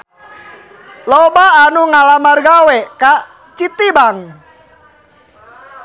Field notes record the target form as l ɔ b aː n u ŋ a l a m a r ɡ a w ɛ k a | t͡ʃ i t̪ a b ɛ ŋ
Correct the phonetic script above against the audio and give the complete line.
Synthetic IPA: l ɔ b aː n u ŋ a l a m a r ɡ a w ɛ k a | t͡ʃ i t̪ i b a ŋ